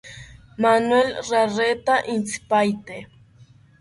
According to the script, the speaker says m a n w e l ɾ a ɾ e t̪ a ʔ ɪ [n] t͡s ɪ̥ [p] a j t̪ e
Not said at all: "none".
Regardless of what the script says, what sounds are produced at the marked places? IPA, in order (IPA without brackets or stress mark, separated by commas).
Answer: n, p